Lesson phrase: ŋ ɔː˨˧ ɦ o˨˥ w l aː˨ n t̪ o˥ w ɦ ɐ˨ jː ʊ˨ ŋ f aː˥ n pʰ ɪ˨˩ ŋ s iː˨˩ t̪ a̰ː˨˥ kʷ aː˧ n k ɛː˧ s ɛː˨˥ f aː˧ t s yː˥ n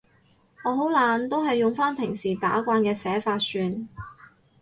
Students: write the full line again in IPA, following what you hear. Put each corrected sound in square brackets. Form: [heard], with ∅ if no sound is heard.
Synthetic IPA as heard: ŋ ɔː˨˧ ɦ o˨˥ w l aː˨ n t̪ o˥ w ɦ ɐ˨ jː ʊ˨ ŋ f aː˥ n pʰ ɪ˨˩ ŋ s iː˨˩ t̪ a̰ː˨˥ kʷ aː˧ n k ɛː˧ s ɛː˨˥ f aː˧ t s [yː˧] n